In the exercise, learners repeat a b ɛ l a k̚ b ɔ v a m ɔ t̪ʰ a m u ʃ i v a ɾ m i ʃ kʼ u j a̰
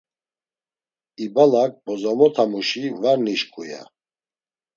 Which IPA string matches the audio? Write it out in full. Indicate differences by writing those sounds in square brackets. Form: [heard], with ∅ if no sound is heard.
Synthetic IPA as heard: [i] b [a] l a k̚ b ɔ [z] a m ɔ t̪ʰ a m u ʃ i v a ɾ [n] i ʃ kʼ u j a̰